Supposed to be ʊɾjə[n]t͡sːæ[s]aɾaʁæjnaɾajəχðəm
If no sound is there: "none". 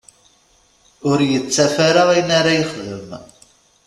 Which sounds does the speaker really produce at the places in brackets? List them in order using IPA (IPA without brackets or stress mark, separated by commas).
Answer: none, f